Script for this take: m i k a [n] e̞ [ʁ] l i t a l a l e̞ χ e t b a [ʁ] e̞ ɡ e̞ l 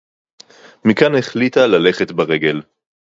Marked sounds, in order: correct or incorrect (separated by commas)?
correct, incorrect, correct